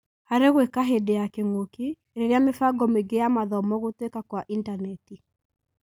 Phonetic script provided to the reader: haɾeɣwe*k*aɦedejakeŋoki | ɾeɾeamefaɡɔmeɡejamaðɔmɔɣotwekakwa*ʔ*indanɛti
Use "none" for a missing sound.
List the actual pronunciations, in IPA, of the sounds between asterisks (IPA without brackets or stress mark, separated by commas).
k, ʔ